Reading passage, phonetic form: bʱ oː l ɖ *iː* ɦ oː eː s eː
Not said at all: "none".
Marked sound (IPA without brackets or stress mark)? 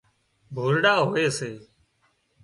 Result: aː